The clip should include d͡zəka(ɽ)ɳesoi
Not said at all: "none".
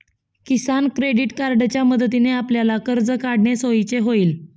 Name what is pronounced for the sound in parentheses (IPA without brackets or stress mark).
ɽ